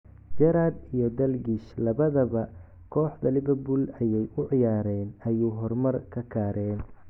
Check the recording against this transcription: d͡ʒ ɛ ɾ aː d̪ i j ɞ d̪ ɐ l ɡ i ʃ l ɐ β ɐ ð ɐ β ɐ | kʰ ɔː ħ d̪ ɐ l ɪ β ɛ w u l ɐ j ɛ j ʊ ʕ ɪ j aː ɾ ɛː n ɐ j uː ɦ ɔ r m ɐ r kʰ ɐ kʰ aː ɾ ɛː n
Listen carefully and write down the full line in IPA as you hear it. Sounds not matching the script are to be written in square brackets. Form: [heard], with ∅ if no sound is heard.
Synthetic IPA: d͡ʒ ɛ ɾ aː d̪ i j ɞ d̪ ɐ l ɡ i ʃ l ɐ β ɐ ð ɐ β ɐ | kʰ ɔː ħ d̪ ɐ l ɪ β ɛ [b] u l ɐ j ɛ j ʊ ʕ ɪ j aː ɾ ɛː n ɐ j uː ɦ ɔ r m ɐ r kʰ ɐ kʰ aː ɾ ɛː n